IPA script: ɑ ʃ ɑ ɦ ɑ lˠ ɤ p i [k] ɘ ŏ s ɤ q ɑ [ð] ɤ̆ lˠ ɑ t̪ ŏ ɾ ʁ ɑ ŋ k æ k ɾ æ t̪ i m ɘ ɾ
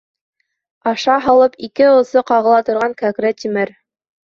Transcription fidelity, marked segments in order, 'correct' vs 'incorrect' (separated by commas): correct, incorrect